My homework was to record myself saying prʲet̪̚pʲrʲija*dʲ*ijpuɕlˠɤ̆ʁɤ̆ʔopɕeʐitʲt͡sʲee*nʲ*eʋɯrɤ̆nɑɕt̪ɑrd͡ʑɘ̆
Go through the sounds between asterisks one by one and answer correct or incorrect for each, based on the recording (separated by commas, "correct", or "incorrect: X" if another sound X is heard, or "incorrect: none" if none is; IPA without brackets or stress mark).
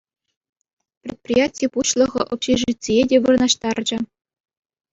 incorrect: tʲ, incorrect: dʲ